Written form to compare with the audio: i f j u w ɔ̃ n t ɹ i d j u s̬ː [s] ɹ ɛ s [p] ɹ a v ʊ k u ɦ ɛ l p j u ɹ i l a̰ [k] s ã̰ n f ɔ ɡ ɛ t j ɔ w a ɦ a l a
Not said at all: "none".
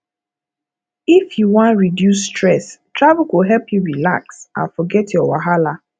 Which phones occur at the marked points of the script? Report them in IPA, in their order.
t, t, k

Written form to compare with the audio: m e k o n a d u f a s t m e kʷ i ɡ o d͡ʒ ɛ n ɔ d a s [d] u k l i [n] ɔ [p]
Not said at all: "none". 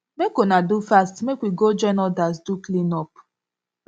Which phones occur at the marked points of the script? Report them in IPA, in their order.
d, n, p

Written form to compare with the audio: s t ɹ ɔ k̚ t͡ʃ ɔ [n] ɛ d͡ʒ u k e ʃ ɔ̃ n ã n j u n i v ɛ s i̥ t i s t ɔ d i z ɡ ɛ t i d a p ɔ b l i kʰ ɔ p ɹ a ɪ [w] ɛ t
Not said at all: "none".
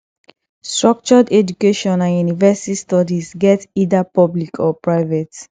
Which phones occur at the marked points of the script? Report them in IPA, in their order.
d, v

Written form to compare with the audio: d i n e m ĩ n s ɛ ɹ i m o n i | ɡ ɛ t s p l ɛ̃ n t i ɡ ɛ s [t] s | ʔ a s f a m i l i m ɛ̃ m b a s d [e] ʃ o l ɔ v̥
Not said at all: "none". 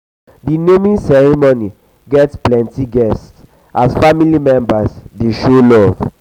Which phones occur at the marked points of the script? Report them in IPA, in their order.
t, e

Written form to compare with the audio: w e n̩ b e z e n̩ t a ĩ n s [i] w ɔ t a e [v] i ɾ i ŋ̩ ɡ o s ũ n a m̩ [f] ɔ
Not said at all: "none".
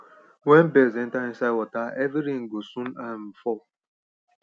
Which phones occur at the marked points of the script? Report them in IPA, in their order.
a, v, f

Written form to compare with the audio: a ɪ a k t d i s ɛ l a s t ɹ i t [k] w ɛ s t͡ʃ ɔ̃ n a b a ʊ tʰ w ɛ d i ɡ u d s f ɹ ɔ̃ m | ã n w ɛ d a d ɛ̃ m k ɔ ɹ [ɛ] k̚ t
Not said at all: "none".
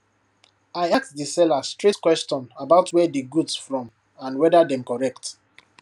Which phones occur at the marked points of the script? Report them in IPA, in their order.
k, ɛ

